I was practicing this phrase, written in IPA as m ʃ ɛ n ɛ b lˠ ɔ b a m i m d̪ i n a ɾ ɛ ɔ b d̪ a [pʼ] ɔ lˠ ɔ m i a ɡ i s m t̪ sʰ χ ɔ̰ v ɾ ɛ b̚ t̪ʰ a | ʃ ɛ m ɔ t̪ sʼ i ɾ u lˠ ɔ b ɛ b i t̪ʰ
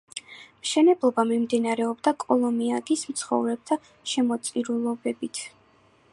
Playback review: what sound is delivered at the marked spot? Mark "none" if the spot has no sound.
kʼ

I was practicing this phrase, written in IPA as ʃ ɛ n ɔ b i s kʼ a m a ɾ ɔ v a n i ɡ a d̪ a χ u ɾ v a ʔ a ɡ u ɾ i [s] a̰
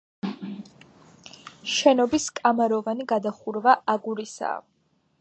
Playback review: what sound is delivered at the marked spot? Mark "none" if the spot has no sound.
s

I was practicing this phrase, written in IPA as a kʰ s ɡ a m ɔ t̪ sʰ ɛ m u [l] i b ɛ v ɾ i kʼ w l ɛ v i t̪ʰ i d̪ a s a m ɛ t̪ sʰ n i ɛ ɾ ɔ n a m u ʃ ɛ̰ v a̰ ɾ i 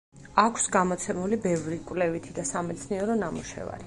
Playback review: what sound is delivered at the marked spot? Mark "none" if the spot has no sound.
l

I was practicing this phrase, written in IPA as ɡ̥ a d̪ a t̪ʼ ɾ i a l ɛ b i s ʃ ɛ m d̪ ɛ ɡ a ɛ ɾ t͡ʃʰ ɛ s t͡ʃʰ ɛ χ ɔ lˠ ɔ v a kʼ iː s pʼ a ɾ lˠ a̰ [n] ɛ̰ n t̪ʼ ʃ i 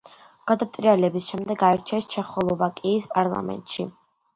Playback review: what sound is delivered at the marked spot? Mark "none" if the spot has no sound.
m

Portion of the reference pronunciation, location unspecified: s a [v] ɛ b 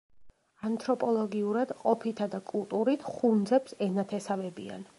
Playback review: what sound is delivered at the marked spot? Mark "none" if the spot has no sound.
v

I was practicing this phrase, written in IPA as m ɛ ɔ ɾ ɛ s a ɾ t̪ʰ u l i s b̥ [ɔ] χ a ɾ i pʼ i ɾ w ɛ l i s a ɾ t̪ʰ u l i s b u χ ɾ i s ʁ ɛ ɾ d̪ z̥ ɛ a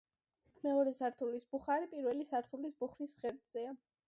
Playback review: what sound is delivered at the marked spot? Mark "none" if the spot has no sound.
u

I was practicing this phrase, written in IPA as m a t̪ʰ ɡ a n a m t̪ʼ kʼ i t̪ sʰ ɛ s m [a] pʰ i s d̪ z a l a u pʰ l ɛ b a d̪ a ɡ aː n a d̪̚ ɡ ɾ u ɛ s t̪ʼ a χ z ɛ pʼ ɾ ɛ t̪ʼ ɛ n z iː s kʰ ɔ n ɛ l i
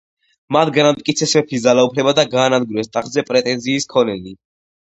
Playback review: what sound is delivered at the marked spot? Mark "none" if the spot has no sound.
ɛ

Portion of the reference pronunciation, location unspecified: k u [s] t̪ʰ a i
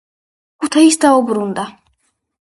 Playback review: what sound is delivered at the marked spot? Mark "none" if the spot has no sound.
none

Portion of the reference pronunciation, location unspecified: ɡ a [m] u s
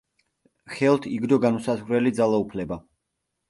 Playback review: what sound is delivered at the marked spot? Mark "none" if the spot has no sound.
n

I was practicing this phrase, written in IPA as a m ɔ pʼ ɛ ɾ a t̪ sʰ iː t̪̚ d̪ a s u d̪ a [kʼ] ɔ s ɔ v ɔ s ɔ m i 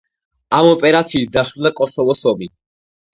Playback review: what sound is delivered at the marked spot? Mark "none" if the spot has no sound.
kʼ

